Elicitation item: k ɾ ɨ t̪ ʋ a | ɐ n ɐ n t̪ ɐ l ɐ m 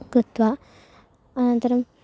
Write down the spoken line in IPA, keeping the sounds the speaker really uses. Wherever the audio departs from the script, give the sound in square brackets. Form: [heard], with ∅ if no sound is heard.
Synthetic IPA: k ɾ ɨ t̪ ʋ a | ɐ n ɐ n t̪ ɐ [ɾ] ɐ m